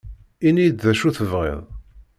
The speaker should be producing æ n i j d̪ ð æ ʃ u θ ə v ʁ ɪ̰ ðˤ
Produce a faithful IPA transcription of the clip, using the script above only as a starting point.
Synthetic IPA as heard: i n i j d̪ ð æ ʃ u θ ə v ʁ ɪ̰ ðˤ